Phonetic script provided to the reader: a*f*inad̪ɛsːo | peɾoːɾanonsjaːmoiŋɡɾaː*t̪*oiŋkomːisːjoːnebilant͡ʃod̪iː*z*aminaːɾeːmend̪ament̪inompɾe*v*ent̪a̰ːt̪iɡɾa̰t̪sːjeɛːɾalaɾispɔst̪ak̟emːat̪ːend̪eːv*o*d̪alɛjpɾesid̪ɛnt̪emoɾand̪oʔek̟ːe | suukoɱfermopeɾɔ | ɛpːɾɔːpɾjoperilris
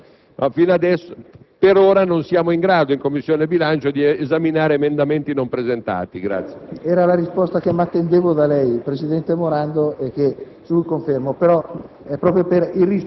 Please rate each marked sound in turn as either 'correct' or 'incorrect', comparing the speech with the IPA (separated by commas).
correct, incorrect, correct, incorrect, correct